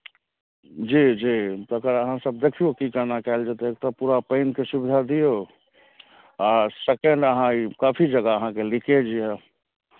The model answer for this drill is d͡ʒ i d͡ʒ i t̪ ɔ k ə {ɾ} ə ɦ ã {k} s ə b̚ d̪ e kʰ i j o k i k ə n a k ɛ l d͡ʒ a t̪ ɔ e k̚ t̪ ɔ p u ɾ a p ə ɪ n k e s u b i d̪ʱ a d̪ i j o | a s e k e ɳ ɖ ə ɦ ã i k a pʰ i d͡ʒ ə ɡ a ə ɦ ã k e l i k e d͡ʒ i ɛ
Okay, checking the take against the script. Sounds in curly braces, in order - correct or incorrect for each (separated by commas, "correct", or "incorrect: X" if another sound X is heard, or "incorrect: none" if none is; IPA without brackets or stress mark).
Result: correct, incorrect: none